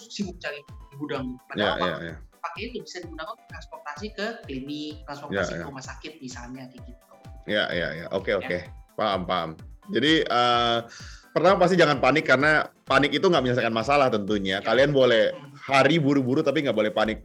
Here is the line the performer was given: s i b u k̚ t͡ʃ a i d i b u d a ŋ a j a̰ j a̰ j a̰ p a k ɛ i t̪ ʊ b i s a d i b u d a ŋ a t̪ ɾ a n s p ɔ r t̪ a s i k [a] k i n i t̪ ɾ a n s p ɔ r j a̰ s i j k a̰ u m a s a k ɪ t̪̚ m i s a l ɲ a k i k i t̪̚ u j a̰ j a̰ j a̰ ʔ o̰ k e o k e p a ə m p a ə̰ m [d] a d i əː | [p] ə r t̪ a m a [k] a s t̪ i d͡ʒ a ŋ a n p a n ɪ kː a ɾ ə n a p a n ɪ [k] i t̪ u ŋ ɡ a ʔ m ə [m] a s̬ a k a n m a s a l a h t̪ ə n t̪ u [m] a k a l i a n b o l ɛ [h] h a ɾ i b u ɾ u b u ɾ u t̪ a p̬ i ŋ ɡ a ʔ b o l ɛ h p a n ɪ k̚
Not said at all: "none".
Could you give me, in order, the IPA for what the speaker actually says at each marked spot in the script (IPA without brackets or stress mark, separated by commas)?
ə, d͡ʒ, p, p, k, ɲ, ɲ, h